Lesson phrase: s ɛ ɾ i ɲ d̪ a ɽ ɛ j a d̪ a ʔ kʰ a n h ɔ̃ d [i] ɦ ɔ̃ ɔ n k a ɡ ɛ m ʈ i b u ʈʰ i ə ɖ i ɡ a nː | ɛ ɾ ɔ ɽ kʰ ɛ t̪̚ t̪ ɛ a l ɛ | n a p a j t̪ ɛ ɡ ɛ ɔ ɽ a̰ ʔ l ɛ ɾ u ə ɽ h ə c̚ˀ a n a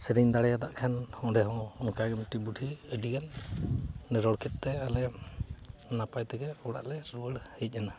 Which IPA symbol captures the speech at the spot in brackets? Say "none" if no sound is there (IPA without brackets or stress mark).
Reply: ɛ